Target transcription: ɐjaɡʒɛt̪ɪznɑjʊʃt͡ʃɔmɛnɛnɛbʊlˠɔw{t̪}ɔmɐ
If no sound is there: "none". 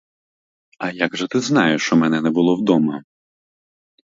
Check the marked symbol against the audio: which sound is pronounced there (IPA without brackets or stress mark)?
d̪